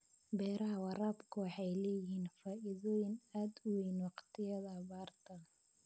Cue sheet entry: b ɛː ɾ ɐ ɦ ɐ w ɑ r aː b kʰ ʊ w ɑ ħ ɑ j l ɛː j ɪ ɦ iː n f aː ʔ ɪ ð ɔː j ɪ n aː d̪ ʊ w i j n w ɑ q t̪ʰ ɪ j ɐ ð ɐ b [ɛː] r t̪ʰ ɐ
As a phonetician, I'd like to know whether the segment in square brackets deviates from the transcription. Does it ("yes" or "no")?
yes